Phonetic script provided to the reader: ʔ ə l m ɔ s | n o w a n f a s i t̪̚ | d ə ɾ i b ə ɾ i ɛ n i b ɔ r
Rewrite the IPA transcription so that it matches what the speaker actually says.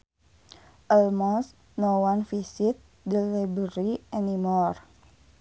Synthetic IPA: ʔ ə l m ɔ s | n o w a n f i s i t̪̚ | d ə l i b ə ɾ i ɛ n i m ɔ r